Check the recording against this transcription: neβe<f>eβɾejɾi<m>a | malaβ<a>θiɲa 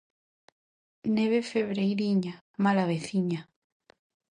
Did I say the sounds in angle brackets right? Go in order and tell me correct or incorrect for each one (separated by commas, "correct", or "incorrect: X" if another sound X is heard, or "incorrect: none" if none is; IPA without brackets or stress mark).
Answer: correct, incorrect: ɲ, incorrect: e